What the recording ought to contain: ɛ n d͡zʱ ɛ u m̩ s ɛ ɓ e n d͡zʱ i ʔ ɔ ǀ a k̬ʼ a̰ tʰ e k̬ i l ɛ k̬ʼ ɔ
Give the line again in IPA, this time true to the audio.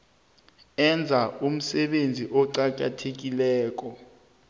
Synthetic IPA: ɛ n d͡zʱ a u m̩ s ɛ ɓ e n d͡zʱ i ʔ ɔ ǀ a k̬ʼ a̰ tʰ e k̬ i l ɛː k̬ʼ ɔ